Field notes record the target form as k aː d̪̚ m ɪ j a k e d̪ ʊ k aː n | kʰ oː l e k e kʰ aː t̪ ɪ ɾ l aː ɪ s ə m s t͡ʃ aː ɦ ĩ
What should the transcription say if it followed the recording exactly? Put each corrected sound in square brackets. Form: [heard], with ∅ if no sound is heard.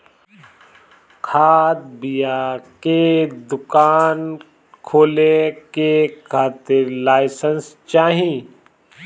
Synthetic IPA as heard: [kʰ] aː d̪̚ [b] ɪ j a k e d̪ ʊ k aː n | kʰ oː l e k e kʰ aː t̪ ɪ ɾ l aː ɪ s ə [n] s t͡ʃ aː ɦ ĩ